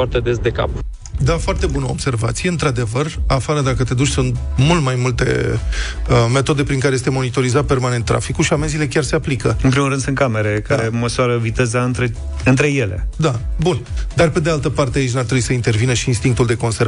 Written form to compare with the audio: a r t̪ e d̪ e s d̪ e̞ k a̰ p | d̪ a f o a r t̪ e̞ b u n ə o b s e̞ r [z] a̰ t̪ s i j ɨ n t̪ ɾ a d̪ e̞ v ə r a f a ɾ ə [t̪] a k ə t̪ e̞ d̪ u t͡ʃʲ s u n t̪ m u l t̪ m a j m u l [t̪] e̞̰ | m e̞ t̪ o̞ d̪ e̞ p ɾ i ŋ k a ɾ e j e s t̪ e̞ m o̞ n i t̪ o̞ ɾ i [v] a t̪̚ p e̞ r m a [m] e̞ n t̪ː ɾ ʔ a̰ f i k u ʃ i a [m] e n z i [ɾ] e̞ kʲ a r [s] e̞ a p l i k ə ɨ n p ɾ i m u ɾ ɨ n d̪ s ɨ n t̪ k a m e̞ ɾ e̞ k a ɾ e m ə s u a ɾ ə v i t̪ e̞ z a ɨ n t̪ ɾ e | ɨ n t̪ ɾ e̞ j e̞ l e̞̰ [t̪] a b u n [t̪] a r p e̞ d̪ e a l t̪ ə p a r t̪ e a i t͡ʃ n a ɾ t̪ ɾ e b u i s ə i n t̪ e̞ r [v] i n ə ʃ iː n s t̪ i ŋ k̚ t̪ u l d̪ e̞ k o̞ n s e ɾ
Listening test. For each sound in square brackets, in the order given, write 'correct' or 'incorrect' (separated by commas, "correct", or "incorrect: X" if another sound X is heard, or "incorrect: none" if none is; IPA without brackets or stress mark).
incorrect: v, incorrect: d̪, correct, incorrect: z, incorrect: n, correct, incorrect: l, correct, incorrect: d̪, incorrect: d̪, correct